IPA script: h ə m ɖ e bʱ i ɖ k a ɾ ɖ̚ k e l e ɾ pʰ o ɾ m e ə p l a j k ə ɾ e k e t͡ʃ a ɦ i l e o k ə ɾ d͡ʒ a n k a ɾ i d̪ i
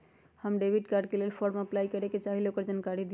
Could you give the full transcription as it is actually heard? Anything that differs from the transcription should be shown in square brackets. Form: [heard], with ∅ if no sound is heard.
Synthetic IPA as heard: h ə m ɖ e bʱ i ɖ k a ɾ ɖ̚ k e l e [l] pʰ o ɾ m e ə p l a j k ə ɾ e k e t͡ʃ a ɦ i l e o k ə ɾ d͡ʒ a n k a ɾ i d̪ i